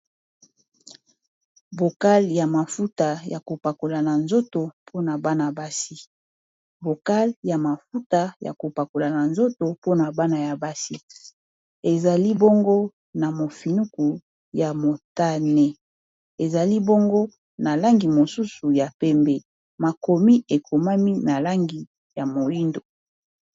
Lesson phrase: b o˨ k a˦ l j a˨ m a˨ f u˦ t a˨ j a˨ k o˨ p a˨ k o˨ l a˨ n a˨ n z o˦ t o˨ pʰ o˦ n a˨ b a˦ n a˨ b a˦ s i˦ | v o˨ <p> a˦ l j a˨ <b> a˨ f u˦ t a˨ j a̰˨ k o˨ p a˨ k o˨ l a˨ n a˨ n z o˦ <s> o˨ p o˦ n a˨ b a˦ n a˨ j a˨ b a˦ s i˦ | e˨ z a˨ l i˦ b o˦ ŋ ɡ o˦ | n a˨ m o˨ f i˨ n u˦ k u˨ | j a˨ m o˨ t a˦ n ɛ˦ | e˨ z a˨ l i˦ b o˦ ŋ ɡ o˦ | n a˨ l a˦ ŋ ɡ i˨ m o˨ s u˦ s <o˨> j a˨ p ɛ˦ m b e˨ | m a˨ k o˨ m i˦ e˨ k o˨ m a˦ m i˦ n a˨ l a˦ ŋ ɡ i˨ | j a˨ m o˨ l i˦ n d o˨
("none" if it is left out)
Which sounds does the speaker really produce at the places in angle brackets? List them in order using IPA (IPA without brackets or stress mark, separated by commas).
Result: k, m, t, u˨